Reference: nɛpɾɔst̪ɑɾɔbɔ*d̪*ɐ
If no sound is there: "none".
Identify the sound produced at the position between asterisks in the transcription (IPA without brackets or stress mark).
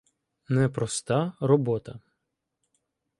t̪